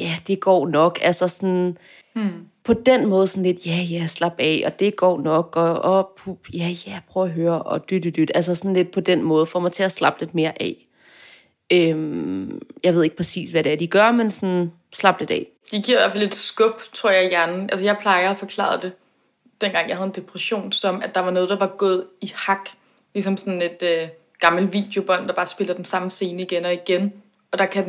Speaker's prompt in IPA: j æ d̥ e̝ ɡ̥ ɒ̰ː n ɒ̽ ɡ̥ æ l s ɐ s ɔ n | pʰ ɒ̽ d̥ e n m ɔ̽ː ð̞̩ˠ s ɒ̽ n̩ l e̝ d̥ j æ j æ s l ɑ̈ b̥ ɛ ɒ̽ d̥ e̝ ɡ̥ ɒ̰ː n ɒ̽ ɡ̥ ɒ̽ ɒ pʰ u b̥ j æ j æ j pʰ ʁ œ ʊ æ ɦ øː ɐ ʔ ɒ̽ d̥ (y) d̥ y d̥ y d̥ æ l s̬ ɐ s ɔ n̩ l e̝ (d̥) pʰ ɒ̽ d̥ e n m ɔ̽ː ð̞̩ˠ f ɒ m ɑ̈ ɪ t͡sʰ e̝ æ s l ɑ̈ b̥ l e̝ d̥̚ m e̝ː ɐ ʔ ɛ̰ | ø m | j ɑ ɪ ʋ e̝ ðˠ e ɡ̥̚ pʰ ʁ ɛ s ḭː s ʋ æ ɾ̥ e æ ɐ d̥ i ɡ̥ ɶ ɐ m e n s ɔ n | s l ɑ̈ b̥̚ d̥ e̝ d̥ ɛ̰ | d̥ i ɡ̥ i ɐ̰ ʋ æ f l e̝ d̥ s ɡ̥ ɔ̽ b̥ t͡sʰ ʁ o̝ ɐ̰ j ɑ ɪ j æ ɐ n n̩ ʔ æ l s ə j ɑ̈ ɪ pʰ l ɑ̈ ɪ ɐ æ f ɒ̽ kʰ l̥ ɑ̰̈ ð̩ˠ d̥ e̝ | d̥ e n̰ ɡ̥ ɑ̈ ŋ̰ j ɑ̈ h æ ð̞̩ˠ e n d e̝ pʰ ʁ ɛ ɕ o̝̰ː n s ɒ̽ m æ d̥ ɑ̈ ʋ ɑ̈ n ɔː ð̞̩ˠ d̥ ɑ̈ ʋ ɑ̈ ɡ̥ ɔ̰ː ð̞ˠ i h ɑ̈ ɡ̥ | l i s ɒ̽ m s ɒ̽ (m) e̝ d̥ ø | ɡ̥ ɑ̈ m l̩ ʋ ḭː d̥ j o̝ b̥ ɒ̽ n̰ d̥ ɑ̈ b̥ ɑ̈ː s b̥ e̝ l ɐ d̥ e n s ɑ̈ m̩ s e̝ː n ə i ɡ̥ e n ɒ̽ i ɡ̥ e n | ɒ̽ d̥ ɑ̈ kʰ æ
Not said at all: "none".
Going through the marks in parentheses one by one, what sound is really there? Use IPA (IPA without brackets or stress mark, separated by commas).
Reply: y, d̥, n